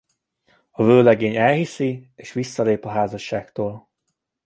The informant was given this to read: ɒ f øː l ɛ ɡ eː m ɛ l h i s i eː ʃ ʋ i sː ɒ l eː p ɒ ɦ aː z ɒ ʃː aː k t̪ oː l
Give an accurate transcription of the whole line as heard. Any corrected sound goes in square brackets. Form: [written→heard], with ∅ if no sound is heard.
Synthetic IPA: ɒ [f→v] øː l ɛ ɡ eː [m→ɲ] ɛ l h i s i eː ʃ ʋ i sː ɒ l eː p ɒ ɦ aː z ɒ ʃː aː k t̪ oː l